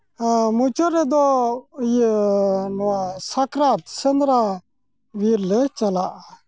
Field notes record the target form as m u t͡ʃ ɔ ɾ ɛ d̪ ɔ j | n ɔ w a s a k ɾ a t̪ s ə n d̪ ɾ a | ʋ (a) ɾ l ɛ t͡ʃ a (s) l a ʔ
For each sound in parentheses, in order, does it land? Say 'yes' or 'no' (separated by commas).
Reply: no, no